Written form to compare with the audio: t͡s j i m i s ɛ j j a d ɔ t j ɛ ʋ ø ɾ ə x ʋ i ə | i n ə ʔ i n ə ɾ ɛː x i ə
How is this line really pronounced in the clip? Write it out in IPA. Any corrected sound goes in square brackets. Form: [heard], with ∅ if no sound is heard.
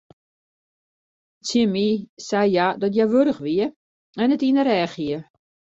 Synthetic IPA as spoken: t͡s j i m i s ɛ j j a d ɔ t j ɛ ʋ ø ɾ ə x ʋ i ə | [ɛ] n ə [t] i n ə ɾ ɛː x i ə